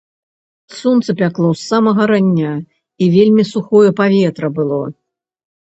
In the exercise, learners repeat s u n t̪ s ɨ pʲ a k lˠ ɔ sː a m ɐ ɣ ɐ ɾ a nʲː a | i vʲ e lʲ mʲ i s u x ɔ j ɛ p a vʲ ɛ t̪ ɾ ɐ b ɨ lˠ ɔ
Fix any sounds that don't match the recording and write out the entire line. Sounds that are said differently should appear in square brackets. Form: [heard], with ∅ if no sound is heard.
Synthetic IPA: s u n t̪ s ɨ pʲ a k lˠ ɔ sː a m ɐ ɣ ɐ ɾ a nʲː a | i vʲ e lʲ mʲ i s u x ɔ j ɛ p a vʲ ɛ t̪ ɾ ɐ b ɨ lˠ ɔ